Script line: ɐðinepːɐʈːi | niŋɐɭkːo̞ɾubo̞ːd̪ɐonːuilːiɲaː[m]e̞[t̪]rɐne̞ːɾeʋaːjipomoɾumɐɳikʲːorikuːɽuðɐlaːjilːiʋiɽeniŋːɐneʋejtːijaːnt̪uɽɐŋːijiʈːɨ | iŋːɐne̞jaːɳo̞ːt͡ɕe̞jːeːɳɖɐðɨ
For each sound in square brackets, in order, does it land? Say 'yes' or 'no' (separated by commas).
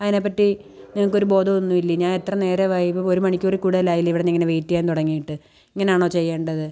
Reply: no, yes